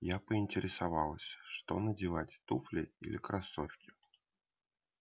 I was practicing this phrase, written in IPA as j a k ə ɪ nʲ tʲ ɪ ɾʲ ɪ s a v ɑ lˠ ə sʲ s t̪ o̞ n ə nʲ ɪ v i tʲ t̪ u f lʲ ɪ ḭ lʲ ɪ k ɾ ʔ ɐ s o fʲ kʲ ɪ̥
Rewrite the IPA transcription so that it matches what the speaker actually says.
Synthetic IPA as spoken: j a p ə ɪ nʲ tʲ ɪ ɾʲ ɪ s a v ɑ lˠ ə sʲ ʂ t̪ o̞ n ə dʲ ɪ v a tʲ t̪ u f lʲ ɪ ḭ lʲ ɪ k ɾ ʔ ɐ s o fʲ kʲ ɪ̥